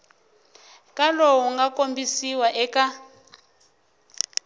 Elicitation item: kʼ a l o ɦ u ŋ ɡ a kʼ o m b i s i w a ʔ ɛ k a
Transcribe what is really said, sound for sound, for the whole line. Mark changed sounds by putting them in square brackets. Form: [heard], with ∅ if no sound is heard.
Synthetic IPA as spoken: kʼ a l o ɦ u ŋ ɡ a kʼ o m b i s i w a ʔ ɛ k a